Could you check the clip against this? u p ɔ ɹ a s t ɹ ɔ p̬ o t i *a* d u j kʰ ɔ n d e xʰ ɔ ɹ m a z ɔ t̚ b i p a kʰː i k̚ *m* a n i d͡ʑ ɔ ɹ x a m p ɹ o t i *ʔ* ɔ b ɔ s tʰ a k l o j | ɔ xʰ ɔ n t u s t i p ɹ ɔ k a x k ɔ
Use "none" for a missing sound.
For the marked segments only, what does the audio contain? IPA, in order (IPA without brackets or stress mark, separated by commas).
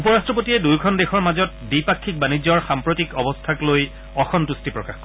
ɛ, b, k